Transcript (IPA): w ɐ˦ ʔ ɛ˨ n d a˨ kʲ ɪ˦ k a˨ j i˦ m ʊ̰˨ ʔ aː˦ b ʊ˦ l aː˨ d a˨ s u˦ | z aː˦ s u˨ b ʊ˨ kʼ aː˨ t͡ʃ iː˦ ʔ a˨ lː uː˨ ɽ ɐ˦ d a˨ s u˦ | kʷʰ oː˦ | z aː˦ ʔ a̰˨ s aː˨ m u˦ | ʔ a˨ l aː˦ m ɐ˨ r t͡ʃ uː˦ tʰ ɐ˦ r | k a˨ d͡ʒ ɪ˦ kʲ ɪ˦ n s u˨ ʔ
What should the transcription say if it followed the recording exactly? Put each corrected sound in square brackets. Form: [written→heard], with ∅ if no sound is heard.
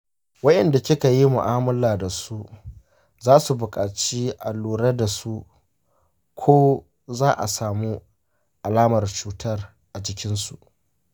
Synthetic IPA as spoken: w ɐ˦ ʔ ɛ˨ n d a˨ kʲ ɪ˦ k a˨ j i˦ m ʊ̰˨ ʔ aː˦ [b→m] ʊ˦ l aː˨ d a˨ s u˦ | z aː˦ s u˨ b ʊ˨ kʼ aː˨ t͡ʃ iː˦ ʔ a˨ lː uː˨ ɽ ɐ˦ d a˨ s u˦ | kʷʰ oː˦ | z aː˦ ʔ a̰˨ s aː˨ m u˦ | ʔ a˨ l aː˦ m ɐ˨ r t͡ʃ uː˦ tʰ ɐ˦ r | [k→ʔ] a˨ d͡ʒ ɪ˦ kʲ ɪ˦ n s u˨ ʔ